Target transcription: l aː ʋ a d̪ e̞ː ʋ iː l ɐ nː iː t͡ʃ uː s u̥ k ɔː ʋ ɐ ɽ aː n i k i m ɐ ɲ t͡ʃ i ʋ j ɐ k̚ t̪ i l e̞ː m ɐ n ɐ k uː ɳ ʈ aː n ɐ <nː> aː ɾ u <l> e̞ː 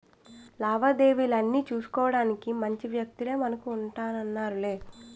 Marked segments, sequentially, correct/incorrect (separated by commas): correct, correct